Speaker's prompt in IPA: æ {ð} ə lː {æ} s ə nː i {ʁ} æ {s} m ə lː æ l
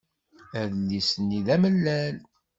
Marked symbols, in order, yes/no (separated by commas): yes, no, no, no